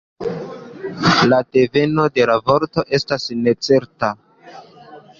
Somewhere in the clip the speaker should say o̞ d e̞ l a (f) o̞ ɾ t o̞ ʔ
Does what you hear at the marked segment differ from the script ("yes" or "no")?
yes